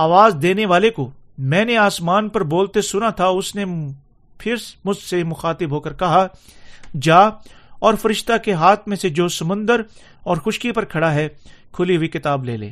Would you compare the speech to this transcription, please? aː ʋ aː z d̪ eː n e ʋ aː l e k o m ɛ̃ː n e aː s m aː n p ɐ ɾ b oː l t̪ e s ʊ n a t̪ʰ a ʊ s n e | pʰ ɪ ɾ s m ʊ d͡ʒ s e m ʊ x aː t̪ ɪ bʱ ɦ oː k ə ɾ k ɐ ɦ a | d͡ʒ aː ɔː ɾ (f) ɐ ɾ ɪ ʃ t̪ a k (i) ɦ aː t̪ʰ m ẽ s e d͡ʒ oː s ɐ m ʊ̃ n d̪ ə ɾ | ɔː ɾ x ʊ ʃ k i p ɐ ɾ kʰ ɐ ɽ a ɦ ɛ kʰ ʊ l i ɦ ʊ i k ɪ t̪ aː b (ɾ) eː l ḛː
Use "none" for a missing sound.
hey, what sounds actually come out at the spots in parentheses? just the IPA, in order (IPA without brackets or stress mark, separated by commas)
f, e, l